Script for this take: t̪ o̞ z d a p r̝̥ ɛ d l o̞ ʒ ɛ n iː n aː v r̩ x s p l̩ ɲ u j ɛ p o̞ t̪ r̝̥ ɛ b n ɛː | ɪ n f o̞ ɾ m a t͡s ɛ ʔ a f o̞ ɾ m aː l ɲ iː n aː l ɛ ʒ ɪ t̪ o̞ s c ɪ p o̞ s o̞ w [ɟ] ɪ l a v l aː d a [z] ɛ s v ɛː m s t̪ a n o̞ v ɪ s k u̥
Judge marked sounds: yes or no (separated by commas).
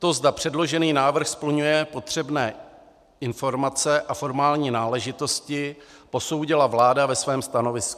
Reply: yes, no